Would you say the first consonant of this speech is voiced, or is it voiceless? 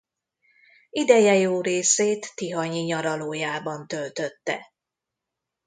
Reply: voiced